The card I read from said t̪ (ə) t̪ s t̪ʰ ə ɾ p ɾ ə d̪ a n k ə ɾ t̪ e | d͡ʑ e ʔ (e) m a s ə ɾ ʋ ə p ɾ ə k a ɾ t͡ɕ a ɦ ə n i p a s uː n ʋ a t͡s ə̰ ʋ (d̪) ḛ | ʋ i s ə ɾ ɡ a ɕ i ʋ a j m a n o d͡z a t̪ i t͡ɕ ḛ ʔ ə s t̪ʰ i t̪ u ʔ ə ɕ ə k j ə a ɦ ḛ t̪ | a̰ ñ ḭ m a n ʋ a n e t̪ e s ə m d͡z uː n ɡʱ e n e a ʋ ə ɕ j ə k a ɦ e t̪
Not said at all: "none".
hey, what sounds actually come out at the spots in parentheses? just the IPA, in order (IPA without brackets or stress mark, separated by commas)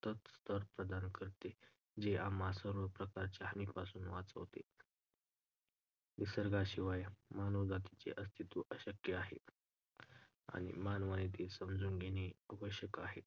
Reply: ə, a, t̪